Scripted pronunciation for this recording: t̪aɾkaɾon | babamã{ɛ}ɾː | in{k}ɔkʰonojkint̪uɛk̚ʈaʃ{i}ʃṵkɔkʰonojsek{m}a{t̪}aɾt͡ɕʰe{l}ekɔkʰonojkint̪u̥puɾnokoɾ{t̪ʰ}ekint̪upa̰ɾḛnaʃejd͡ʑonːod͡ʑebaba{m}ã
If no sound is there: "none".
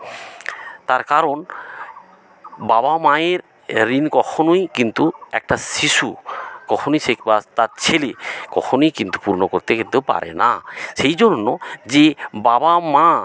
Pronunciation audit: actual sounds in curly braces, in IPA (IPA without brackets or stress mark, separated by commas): e, k, i, b, t̪, l, t̪, m